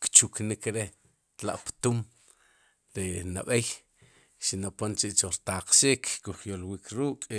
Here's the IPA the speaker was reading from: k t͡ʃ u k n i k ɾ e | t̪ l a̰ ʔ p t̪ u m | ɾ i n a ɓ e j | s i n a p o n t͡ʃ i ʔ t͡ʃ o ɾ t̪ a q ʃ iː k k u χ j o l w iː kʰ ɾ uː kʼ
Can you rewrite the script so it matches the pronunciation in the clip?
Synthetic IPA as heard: k t͡ʃ u k n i k ɾ e | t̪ l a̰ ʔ p t̪ u m | ɾ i n a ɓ e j | ʃ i n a p o n t͡ʃ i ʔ t͡ʃ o ɾ t̪ a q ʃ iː k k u χ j o l w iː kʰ ɾ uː kʼ